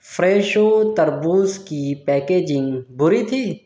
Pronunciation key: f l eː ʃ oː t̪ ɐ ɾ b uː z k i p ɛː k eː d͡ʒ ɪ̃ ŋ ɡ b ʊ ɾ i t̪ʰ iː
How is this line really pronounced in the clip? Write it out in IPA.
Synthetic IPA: f ɾ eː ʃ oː t̪ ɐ ɾ b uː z k i p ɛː k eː d͡ʒ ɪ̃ ŋ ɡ b ʊ ɾ i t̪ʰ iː